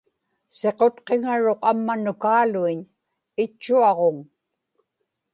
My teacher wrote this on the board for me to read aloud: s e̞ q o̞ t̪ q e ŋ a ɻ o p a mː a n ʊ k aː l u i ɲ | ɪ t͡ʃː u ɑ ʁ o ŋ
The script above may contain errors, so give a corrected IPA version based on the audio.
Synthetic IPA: s e̞ q o̞ t̪ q e ŋ a ɻ o q a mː a n ʊ k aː l u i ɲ | ɪ t͡ʃː u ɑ ʁ o ŋ